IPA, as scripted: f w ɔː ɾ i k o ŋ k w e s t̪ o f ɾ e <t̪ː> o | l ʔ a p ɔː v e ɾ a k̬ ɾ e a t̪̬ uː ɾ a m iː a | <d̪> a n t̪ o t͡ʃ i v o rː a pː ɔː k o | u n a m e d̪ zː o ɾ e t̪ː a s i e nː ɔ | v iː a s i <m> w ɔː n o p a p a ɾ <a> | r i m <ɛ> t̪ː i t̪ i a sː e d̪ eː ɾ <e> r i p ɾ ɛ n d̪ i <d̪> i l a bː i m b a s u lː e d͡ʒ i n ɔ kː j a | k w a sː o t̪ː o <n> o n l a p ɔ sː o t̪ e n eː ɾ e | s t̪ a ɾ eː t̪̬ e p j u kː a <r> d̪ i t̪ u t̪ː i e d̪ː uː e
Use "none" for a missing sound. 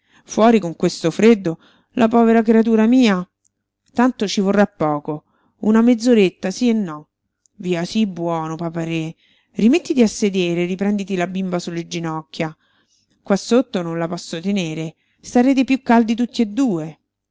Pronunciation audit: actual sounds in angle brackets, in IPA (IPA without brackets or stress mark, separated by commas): d̪ː, t̪, b, e, e, e, t̪, n, l